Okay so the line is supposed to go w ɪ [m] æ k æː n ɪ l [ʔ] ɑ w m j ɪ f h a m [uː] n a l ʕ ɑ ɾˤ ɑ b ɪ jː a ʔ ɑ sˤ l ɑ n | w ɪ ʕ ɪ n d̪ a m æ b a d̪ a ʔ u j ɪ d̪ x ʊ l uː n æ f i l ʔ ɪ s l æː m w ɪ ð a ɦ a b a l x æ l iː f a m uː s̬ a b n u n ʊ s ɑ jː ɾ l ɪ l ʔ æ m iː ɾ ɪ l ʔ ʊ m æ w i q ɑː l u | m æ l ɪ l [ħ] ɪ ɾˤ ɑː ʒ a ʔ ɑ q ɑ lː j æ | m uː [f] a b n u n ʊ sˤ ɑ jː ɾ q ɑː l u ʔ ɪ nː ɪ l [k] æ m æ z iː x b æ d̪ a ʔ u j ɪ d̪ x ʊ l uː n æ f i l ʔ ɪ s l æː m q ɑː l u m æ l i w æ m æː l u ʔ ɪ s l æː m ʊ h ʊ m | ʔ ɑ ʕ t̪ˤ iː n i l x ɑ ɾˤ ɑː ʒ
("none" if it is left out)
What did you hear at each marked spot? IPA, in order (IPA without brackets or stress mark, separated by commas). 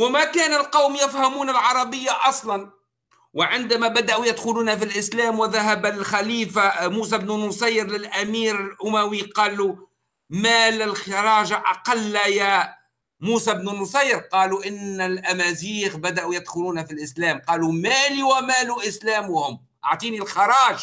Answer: m, q, uː, x, s, ʔ